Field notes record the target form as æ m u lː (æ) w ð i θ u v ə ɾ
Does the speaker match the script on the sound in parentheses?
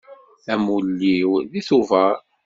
no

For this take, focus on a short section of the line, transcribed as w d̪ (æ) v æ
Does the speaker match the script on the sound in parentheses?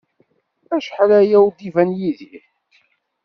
no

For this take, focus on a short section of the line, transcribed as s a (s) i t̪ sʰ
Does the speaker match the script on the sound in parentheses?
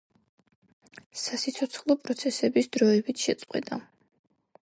yes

